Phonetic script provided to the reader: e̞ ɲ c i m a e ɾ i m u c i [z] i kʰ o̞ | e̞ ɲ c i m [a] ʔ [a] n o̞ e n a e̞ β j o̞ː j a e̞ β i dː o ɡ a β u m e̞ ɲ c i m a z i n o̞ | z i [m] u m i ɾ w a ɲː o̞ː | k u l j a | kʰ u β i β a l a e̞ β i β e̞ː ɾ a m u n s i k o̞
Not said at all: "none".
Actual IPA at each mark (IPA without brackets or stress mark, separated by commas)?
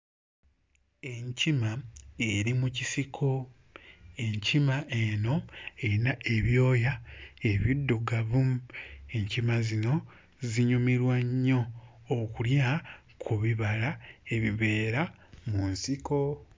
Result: s, a, e, ɲ